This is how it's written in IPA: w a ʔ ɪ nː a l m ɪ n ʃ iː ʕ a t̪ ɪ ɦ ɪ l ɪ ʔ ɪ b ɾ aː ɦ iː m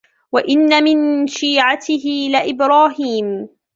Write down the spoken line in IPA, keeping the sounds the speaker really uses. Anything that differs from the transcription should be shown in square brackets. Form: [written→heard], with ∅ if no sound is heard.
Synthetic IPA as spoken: w a ʔ ɪ nː a [l→∅] m ɪ n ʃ iː ʕ a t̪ ɪ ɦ ɪ l ɪ ʔ ɪ b ɾ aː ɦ iː m